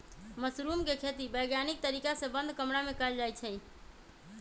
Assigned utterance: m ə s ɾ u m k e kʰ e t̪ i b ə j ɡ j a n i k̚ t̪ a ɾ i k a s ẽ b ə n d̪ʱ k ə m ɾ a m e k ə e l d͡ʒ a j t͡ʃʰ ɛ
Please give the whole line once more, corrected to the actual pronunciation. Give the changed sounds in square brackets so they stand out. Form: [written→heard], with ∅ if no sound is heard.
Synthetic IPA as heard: m ə s ɾ u m k e kʰ e t̪ i b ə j ɡ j a n i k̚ t̪ [a→ə] ɾ i k a s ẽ b ə n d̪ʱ k ə m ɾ a m e k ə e l d͡ʒ a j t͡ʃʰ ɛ